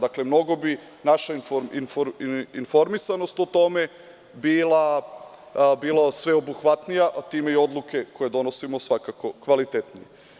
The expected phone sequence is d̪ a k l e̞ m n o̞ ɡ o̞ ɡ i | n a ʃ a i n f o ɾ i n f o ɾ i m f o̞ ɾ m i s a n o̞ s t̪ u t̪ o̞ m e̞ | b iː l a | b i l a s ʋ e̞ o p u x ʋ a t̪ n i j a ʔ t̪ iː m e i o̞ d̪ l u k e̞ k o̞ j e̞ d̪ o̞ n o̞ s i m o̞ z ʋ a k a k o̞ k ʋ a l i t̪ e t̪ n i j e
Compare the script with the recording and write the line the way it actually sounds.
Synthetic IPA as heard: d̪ a k l e̞ m n o̞ ɡ o̞ b i | n a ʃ a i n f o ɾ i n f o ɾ i n f o̞ ɾ m i s a n o̞ s t̪ o t̪ o̞ m e̞ | b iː l a | b i l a s ʋ e̞ o b u x ʋ a t̪ n i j a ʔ t̪ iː m e i o̞ d̪ l u k e̞ k o̞ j e̞ d̪ o̞ n o̞ s i m o̞ s ʋ a k a k o̞ k ʋ a l i t̪ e t̪ n i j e

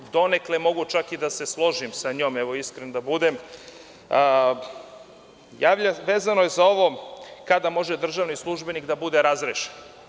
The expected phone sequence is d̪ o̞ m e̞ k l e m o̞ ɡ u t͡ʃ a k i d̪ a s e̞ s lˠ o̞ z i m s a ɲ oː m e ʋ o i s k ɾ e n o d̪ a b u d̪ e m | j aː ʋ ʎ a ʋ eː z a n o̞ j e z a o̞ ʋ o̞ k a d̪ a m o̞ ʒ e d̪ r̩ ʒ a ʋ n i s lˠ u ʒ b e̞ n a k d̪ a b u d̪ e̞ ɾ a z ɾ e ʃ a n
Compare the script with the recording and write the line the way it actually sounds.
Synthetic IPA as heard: d̪ o̞ n e̞ k l e m o̞ ɡ u t͡ʃ a k i d̪ a s e̞ s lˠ o̞ ʒ i m s a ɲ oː m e ʋ o i s k ɾ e n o d̪ a b u d̪ e m | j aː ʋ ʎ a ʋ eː z a n o̞ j e z a o̞ ʋ o̞ k a d̪ a m o̞ ʒ e d̪ r̩ ʒ a ʋ n i s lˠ u ʒ b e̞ n i k d̪ a b u d̪ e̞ ɾ a z ɾ e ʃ e n

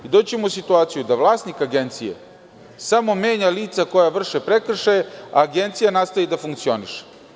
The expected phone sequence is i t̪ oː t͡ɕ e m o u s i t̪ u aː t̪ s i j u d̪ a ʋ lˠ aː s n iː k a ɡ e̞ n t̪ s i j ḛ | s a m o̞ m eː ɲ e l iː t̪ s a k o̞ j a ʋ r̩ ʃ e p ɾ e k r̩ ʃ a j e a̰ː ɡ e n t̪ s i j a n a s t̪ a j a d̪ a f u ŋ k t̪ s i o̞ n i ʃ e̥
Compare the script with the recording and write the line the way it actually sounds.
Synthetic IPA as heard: i d̪ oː t͡ɕ e m o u s i t̪ u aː t̪ s i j u d̪ a ʋ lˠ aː s n i k a ɡ e̞ n t̪ s i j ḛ | s a m o̞ m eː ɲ a l iː t̪ s a k o̞ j a ʋ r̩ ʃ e p ɾ e k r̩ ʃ a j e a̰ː ɡ e n t̪ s i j a n a s t̪ a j i d̪ a f u ŋ k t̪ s i o̞ n i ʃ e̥

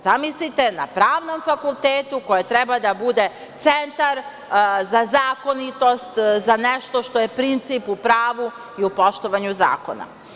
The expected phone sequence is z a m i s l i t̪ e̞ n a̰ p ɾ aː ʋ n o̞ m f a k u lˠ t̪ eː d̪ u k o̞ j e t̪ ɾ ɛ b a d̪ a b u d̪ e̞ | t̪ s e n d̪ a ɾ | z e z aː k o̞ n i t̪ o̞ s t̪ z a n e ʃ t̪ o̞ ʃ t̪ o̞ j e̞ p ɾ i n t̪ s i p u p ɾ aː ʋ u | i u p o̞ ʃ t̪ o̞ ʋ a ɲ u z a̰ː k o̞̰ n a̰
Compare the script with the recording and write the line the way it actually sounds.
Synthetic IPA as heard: z a m i s l i t̪ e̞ n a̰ p ɾ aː ʋ n o̞ m f a k u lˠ t̪ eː t̪ u k o̞ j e t̪ ɾ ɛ b a d̪ a b u d̪ e̞ | t̪ s e n t̪ a ɾ | z a z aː k o̞ n i t̪ o̞ s t̪ z a n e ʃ t̪ o̞ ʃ t̪ o̞ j e̞ p ɾ i n t̪ s i p u p ɾ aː ʋ u | i u p o̞ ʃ t̪ o̞ ʋ a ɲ u z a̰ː k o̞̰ n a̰

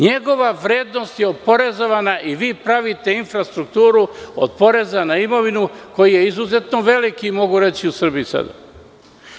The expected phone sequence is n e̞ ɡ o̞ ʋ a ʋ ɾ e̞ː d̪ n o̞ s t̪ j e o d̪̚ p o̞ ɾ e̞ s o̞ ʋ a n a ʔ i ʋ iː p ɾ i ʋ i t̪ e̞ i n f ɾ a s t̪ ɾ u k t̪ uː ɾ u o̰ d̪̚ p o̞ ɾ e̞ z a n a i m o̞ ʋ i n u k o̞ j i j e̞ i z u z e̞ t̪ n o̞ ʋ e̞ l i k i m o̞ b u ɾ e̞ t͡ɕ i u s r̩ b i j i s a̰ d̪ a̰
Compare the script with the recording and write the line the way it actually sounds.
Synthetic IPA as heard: ɲ e̞ ɡ o̞ ʋ a ʋ ɾ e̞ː d̪ n o̞ s t̪ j e o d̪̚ p o̞ ɾ e̞ z o̞ ʋ a n a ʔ i ʋ iː p ɾ a ʋ i t̪ e̞ i n f ɾ a s t̪ ɾ u k t̪ uː ɾ u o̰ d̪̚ p o̞ ɾ e̞ z a n a i m o̞ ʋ i n u k o̞ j i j e̞ i z u z e̞ t̪ n o̞ ʋ e̞ l i k i m o̞ ɡ u ɾ e̞ t͡ɕ i u s r̩ b i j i s a̰ d̪ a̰

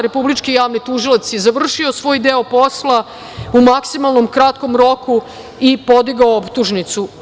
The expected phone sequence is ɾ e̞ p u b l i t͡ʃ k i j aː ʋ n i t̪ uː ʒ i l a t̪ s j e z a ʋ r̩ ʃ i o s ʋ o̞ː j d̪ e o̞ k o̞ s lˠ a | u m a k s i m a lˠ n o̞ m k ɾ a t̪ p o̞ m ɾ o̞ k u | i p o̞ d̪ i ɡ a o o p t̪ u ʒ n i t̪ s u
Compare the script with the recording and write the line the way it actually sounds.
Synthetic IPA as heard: ɾ e̞ p u b l i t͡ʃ k i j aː ʋ n i t̪ u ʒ i l a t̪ s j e z a ʋ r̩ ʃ i o s ʋ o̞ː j d̪ e o̞ p o̞ s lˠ a | u m a k s i m a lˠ n o̞ m k ɾ a t̪ k o̞ m ɾ o̞ k u | i p o̞ d̪ i ɡ a o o p t̪ u ʒ n i t̪ s u

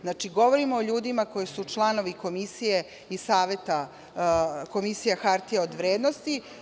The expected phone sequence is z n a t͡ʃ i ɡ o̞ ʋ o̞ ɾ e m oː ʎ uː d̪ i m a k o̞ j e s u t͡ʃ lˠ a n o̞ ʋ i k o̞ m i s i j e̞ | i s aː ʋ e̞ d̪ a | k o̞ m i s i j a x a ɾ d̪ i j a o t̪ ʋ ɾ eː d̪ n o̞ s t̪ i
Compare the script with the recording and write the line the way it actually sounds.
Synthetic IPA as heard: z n a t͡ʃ i ɡ o̞ ʋ o̞ ɾ i m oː ʎ uː d̪ i m a k o̞ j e s u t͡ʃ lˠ a n o̞ ʋ i k o̞ m i s i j e̞ | i s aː ʋ e̞ t̪ a | k o̞ m i s i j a x a ɾ t̪ i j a o d̪ ʋ ɾ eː d̪ n o̞ s t̪ i

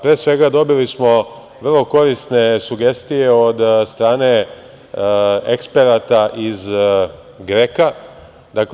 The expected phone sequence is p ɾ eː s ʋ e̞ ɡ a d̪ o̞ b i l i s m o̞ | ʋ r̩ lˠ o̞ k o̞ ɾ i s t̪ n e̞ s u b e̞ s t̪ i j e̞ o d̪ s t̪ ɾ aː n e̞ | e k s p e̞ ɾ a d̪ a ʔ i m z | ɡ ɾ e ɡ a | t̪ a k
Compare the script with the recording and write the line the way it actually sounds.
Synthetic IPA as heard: p ɾ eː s ʋ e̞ ɡ a d̪ o̞ b i l i s m o̞ | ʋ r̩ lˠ o̞ k o̞ ɾ i s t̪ n e̞ s u ɡ e̞ s t̪ i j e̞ o d̪ s t̪ ɾ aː n e̞ | e k s p e̞ ɾ a t̪ a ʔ i z | ɡ ɾ e k a | d̪ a k

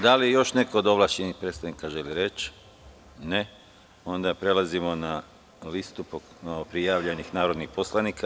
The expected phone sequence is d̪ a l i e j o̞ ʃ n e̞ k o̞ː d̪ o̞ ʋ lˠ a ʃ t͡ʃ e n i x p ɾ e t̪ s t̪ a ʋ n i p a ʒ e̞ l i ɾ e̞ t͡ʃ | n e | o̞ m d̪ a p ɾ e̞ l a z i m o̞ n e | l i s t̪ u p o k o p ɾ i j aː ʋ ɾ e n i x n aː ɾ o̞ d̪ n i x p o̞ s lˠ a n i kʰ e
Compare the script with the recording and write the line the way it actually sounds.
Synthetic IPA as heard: d̪ a l i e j o̞ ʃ n e̞ k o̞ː d̪ o̞ ʋ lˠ a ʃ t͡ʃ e n i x p ɾ e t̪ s t̪ a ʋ n i k a ʒ e̞ l i ɾ e̞ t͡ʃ | n e | o̞ n d̪ a p ɾ e̞ l a z i m o̞ n a | l i s t̪ u p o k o p ɾ i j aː ʋ ʎ e n i x n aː ɾ o̞ d̪ n i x p o̞ s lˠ a n i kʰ a

